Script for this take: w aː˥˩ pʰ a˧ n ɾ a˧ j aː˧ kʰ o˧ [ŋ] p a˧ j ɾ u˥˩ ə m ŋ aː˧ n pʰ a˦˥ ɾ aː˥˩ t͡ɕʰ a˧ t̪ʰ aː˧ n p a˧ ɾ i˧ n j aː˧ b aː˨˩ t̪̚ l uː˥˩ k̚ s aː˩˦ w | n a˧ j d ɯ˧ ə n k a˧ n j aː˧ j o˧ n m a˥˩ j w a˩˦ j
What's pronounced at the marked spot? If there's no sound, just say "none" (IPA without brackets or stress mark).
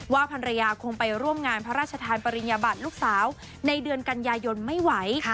ŋ